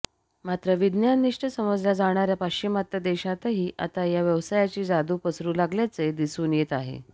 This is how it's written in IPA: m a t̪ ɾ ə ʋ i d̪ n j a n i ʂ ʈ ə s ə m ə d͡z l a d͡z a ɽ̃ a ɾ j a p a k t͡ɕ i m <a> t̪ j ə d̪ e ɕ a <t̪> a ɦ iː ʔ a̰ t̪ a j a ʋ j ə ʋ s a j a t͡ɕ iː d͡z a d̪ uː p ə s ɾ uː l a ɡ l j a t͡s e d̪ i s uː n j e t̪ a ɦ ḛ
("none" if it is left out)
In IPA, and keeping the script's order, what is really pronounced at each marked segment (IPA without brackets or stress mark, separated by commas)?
a, t̪